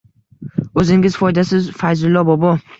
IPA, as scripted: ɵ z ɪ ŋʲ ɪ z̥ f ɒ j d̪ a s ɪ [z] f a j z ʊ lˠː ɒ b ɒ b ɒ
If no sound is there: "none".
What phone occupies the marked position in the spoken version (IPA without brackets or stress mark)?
z